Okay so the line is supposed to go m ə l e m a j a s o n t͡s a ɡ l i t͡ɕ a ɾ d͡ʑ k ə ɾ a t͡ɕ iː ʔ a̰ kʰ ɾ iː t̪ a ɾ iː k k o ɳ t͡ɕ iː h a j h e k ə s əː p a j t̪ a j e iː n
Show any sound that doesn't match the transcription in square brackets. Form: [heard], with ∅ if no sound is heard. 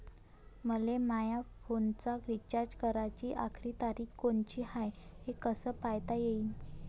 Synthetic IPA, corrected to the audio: m ə l e m a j a [f] o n t͡s a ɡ [ɾ] i t͡ɕ a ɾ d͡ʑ k ə ɾ a t͡ɕ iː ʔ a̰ kʰ ɾ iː t̪ a ɾ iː k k o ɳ t͡ɕ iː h a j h e k ə s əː p a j t̪ a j e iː n